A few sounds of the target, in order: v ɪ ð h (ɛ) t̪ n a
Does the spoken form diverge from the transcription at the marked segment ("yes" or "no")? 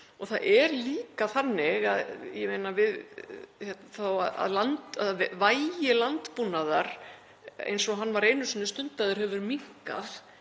no